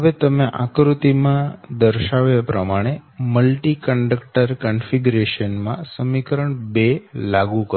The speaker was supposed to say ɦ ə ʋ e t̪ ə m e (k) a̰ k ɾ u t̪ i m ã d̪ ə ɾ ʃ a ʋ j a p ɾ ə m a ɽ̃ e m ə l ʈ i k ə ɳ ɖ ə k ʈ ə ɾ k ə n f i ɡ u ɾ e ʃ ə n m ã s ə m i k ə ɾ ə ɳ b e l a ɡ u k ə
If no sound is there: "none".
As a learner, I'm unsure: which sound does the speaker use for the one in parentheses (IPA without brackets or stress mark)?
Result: ʔ